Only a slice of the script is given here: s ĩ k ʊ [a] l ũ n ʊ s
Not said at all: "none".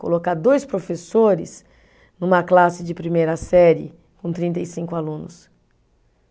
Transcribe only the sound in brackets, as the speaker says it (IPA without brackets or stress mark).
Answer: a